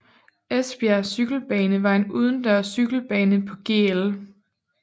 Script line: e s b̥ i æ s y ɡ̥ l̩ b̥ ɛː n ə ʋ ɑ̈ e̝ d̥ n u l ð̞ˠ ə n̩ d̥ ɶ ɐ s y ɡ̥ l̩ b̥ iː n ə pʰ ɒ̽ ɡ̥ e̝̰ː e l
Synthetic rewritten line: e s b̥ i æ s y ɡ̥ l̩ b̥ ɛː n ə ʋ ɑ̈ e̝ n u ð̞ˠ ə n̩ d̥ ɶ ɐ s y ɡ̥ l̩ b̥ ɛː n ə pʰ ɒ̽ ɡ̥ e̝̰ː e l